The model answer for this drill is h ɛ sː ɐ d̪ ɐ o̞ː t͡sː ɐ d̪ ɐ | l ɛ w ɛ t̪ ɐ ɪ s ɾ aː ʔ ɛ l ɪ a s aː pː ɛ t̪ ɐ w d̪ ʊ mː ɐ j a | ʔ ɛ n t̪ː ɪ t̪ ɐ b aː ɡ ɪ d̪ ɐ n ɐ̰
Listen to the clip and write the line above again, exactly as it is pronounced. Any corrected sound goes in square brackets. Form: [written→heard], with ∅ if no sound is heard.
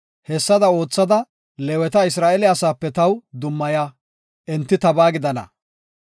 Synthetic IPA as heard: h ɛ sː ɐ d̪ ɐ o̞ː t͡sː ɐ d̪ ɐ | l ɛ w ɛ t̪ ɐ ɪ s ɾ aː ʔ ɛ l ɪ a s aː pː ɛ t̪ ɐ w d̪ ʊ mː ɐ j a | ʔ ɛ n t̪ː ɪ t̪ ɐ b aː ɡ ɪ d̪ ɐ n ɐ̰